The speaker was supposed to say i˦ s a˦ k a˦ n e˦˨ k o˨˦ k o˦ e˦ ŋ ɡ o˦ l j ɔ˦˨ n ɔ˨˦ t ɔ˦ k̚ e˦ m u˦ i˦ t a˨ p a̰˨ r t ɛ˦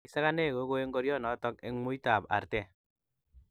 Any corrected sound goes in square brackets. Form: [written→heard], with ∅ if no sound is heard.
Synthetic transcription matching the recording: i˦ s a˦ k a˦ n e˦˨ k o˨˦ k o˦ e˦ ŋ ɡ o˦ [l→ɾ] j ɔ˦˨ n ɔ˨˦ t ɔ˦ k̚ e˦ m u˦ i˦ t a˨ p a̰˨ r t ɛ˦